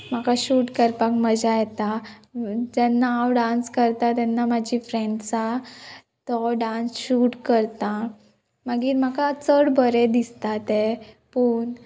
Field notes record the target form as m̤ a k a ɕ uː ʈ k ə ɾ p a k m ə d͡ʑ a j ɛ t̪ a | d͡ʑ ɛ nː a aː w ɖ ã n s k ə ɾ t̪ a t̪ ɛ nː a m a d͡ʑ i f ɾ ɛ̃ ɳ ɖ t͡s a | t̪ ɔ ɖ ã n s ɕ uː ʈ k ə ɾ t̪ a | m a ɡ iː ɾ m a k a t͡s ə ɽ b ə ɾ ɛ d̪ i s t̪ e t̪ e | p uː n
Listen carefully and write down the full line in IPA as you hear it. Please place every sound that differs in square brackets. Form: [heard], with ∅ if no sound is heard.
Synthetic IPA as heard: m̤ a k a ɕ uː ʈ k ə ɾ p a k m ə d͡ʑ a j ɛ t̪ a | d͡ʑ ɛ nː a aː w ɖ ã n s k ə ɾ t̪ a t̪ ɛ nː a m a d͡ʑ i f ɾ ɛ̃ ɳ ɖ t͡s a | t̪ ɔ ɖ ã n s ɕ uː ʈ k ə ɾ t̪ a | m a ɡ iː ɾ m a k a t͡s ə ɽ b ə ɾ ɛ d̪ i s t̪ [a] t̪ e | p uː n